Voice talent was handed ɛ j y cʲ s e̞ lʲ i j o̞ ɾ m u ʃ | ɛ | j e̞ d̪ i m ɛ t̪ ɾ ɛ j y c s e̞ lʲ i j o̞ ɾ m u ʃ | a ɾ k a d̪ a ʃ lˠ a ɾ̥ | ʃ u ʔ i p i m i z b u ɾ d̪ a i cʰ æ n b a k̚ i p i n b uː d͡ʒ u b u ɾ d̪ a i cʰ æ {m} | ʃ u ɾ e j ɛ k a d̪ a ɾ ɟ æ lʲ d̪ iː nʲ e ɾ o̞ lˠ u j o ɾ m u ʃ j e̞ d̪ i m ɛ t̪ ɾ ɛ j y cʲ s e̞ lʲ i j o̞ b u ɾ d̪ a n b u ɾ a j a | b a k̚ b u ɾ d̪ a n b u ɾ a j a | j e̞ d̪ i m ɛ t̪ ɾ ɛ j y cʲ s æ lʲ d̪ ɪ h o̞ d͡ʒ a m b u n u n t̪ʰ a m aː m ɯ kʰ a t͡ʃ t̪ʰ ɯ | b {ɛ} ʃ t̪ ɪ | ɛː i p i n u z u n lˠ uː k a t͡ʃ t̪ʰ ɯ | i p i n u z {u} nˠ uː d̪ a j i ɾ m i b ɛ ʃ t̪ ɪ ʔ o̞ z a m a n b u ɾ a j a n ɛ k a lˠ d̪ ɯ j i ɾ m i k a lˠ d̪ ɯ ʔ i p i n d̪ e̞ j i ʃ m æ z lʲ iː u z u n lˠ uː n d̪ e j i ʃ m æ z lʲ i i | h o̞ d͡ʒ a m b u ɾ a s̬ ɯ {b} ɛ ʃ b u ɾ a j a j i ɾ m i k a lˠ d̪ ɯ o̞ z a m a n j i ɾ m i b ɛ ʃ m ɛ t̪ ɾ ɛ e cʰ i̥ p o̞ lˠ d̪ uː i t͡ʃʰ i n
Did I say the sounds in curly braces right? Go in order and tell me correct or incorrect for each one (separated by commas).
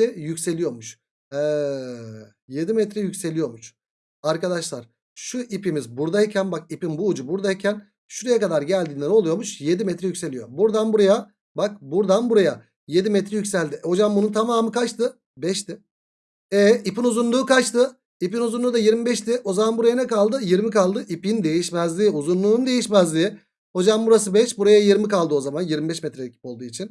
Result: incorrect, correct, correct, correct